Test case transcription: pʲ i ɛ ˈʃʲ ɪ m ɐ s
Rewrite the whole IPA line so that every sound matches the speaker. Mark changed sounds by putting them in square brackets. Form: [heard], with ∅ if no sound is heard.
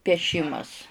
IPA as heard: pʲ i ɛ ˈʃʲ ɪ m ɐ s

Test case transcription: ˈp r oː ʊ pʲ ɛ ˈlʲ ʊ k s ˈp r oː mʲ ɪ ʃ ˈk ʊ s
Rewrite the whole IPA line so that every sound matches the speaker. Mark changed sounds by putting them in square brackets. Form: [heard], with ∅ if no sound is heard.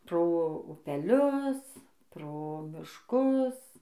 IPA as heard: ˈp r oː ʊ pʲ ɛ ˈlʲ ʊ [∅] s ˈp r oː mʲ ɪ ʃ ˈk ʊ s

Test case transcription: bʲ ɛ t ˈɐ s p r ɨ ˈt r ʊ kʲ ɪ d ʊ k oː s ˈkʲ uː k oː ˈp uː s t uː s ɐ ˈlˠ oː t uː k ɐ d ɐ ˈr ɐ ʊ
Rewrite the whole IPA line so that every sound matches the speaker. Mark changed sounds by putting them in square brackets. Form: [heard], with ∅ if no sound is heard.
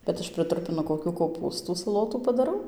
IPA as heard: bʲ ɛ t ˈɐ [ʃ] p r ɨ ˈt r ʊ [pʲ] ɪ [n] ʊ k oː [∅] ˈkʲ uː k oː ˈp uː s t uː s ɐ ˈlˠ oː t uː [p] ɐ d ɐ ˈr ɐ ʊ

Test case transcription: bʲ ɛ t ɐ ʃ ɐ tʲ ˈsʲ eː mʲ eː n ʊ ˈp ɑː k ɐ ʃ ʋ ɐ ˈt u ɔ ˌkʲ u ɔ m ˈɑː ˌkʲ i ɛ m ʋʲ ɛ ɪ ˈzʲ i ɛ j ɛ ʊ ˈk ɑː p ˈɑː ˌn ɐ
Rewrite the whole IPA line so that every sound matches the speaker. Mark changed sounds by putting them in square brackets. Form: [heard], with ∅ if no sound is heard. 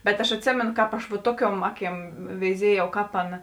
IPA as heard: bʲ ɛ t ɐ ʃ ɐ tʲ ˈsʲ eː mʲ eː n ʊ [ˈk] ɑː [p] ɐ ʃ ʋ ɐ ˈt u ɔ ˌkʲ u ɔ m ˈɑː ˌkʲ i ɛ m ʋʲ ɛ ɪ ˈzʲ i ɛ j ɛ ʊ ˈk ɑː p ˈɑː ˌn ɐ

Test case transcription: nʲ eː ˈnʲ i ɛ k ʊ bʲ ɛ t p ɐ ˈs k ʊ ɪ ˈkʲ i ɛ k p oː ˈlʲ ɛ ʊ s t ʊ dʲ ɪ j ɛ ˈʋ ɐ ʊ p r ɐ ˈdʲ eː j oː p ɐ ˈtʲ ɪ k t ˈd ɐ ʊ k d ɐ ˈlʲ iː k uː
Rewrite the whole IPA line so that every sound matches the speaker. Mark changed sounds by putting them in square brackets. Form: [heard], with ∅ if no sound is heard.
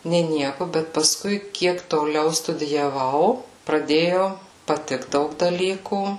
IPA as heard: nʲ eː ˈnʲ i ɛ k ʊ bʲ ɛ t p ɐ ˈs k ʊ ɪ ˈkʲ i ɛ k [t] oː ˈlʲ ɛ ʊ s t ʊ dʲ ɪ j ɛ ˈʋ ɐ ʊ p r ɐ ˈdʲ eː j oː p ɐ ˈtʲ ɪ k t ˈd ɐ ʊ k d ɐ ˈlʲ iː k uː

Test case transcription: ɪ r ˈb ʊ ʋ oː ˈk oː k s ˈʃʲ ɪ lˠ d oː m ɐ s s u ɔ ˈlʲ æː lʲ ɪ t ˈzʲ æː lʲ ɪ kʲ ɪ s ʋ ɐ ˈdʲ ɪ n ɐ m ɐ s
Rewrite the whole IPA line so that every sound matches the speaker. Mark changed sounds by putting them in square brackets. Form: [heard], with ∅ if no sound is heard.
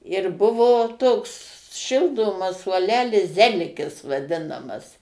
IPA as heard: ɪ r ˈb ʊ ʋ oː [ˈt] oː k s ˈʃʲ ɪ lˠ d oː m ɐ s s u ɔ ˈlʲ æː lʲ ɪ [s] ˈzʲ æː lʲ ɪ kʲ ɪ s ʋ ɐ ˈdʲ ɪ n ɐ m ɐ s

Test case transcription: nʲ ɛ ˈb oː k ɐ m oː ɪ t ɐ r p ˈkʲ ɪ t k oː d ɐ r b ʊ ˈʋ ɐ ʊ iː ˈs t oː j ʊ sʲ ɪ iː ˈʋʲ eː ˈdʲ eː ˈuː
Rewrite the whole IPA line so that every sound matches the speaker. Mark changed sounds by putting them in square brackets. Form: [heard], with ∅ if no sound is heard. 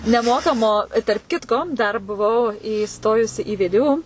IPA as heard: nʲ ɛ [ˈm] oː k ɐ m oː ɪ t ɐ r p ˈkʲ ɪ t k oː d ɐ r b ʊ ˈʋ ɐ ʊ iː ˈs t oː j ʊ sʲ ɪ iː ˈʋʲ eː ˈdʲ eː ˈuː

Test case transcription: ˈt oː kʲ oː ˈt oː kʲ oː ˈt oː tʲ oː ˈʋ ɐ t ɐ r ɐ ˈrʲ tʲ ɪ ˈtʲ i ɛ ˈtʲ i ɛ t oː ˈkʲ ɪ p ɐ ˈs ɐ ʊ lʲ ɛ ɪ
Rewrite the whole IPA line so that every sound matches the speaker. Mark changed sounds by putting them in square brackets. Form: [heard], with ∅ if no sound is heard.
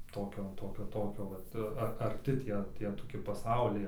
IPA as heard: ˈt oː kʲ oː ˈt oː kʲ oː ˈt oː [kʲ] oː ˈʋ ɐ t ɐ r ɐ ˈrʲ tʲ ɪ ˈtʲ i ɛ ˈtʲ i ɛ t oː ˈkʲ ɪ p ɐ ˈs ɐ ʊ lʲ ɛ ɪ

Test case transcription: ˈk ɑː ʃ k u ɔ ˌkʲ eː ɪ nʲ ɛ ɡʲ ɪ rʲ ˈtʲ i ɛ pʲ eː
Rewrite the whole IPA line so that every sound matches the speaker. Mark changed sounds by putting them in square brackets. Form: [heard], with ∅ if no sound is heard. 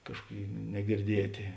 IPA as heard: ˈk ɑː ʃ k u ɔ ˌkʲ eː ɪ nʲ ɛ ɡʲ ɪ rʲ [ˈdʲ] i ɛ [tʲ] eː

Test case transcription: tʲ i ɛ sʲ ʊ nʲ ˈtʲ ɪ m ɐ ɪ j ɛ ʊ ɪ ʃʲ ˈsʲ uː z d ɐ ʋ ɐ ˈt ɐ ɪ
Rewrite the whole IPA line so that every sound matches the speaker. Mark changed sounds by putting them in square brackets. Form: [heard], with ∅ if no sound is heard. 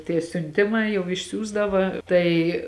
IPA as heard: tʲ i ɛ sʲ ʊ nʲ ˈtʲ ɪ m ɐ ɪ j ɛ ʊ ɪ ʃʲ ˈsʲ uː z d ɐ ʋ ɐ ˈt ɐ ɪ

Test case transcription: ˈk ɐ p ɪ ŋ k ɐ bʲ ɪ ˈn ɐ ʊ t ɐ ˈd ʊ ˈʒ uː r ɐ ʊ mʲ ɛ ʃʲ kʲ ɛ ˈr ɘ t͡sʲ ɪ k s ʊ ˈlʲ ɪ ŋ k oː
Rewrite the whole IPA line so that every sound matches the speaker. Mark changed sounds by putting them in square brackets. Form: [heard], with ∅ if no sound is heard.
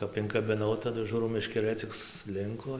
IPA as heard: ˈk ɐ p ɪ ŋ k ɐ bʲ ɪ ˈn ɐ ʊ t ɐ ˈd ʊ ˈʒ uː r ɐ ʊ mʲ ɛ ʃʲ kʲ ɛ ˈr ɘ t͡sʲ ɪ k s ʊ ˈlʲ ɪ ŋ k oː

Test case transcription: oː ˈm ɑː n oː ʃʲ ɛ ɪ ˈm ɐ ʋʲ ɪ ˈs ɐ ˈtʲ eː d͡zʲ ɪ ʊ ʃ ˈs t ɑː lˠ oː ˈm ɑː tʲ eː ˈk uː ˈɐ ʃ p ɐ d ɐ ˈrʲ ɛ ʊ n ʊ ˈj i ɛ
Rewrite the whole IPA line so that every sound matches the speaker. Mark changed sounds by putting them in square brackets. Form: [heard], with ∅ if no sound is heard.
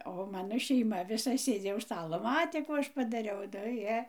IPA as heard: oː ˈm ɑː n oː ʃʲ ɛ ɪ ˈm ɐ ʋʲ ɪ ˈs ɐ [ˈsʲ] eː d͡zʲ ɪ ʊ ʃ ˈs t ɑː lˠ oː ˈm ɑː tʲ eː ˈk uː ˈɐ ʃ p ɐ d ɐ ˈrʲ ɛ ʊ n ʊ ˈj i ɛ

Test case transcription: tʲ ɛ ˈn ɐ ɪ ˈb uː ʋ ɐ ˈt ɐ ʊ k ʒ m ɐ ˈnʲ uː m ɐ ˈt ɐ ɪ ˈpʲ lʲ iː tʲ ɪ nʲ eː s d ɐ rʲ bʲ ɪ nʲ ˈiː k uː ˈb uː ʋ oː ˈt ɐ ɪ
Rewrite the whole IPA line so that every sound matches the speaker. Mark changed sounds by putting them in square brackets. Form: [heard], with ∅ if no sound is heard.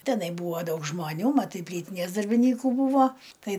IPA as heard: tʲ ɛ ˈn ɐ ɪ ˈb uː ʋ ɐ [ˈd] ɐ ʊ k ʒ m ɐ ˈnʲ uː m ɐ ˈt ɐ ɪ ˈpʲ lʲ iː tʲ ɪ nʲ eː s d ɐ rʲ bʲ ɪ nʲ ˈiː k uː ˈb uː ʋ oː ˈt ɐ ɪ

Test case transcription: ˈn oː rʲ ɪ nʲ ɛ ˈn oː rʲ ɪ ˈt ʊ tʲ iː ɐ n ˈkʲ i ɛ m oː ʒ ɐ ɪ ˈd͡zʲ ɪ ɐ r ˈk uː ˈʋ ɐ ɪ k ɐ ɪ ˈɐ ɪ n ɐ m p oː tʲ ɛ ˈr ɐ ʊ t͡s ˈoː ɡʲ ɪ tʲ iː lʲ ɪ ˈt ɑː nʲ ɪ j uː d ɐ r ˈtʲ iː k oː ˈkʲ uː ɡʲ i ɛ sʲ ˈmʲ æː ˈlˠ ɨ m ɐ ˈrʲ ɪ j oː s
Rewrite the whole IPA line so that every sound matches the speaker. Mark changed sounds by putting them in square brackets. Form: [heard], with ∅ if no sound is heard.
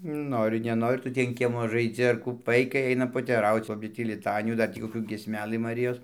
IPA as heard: ˈn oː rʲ ɪ nʲ ɛ ˈn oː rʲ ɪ ˈt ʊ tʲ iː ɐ n ˈkʲ i ɛ m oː ʒ ɐ ɪ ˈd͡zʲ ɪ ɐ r ˈk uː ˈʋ ɐ ɪ k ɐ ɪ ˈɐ ɪ n ɐ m p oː tʲ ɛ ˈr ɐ ʊ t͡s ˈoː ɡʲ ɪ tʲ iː lʲ ɪ ˈt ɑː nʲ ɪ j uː d ɐ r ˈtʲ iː k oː ˈkʲ uː ɡʲ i ɛ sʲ ˈmʲ æː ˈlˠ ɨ m ɐ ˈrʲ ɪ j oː s

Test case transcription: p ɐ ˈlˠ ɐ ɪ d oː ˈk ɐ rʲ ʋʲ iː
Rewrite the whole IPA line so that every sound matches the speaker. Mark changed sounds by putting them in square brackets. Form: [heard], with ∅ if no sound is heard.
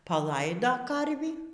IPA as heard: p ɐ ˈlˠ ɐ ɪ d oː ˈk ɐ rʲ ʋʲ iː

